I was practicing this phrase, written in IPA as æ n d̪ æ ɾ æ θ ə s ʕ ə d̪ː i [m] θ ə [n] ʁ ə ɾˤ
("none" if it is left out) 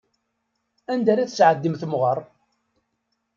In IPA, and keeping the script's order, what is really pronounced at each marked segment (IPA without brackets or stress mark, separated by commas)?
m, m